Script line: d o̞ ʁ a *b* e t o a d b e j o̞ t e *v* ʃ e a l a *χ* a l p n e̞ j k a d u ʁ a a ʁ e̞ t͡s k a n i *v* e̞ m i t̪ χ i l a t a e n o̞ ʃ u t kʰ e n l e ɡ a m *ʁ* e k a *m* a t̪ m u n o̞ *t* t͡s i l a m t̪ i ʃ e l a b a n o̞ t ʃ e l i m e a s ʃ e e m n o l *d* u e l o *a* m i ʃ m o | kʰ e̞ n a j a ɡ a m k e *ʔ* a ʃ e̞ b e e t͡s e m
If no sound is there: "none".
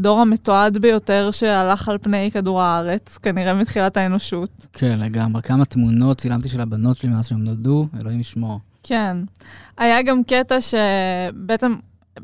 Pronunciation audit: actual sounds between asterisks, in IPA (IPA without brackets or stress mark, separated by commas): m, ʁ, χ, ʁ, ʁ, m, t, d, i, t